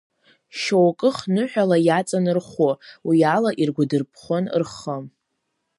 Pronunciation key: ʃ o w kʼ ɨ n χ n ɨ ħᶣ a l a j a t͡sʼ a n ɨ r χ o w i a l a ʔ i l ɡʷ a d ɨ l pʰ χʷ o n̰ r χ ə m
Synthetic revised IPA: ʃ o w kʼ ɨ χ n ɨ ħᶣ a l a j a t͡sʼ a n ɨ r χ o w i a l a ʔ i r ɡʷ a d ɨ r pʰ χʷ o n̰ r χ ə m